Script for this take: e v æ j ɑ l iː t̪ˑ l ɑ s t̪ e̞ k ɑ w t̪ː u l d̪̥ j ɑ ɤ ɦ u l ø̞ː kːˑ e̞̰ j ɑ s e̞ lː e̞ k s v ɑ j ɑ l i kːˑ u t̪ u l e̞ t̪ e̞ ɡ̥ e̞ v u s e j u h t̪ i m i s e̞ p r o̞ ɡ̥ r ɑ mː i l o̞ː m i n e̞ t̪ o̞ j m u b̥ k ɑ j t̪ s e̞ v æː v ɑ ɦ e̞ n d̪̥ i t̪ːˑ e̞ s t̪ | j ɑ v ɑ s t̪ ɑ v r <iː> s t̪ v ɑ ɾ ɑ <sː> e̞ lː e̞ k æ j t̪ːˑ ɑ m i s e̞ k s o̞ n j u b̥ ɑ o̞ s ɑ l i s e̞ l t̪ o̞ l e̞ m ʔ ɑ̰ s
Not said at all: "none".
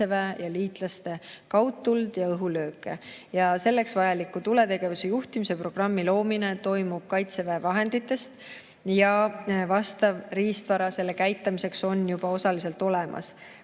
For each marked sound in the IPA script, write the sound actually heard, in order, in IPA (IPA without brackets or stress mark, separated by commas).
iː, s